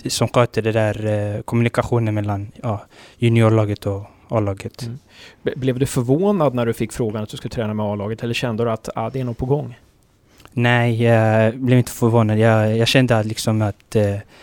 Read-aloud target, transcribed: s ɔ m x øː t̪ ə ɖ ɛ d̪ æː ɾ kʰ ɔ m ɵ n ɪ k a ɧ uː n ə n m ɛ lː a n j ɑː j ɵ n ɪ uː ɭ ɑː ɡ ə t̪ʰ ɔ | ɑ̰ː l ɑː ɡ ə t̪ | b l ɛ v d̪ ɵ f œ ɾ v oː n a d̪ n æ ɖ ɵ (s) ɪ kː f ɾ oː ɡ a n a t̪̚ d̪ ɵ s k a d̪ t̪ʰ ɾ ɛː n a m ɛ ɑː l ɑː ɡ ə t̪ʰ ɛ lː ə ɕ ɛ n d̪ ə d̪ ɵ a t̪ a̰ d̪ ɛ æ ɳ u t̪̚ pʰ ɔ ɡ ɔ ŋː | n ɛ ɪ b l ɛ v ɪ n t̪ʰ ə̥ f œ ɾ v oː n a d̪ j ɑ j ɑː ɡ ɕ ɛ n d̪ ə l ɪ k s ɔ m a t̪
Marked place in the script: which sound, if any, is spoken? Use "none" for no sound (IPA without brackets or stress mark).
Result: f